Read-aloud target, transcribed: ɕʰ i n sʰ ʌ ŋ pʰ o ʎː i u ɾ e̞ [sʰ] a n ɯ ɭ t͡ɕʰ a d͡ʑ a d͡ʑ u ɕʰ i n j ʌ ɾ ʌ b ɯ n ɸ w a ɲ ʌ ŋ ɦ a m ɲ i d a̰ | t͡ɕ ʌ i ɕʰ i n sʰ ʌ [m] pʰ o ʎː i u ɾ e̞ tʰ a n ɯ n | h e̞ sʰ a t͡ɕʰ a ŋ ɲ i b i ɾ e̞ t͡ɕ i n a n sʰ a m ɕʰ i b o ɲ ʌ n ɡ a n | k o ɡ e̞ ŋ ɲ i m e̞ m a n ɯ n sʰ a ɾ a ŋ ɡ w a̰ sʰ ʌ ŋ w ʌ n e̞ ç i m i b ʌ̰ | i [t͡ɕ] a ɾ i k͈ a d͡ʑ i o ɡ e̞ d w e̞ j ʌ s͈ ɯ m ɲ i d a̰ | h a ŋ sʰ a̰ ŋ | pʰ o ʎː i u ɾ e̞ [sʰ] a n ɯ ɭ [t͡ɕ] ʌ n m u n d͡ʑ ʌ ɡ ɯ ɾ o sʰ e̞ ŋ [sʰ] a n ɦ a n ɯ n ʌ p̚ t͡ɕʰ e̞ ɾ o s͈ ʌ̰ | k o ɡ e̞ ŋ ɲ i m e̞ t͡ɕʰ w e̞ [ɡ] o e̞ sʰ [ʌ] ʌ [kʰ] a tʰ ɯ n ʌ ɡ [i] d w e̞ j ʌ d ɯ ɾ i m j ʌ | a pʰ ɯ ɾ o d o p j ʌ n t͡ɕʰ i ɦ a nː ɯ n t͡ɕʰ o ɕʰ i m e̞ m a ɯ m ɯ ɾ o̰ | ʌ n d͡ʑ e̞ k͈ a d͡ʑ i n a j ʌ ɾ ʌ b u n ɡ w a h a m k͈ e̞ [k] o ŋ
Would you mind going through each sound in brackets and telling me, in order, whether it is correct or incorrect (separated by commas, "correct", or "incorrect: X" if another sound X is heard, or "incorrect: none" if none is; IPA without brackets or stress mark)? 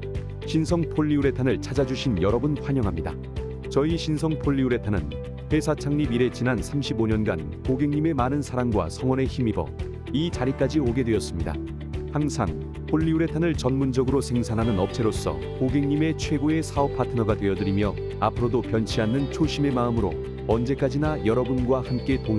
incorrect: tʰ, incorrect: ŋ, correct, incorrect: tʰ, correct, correct, correct, incorrect: a, incorrect: pʰ, incorrect: a, incorrect: t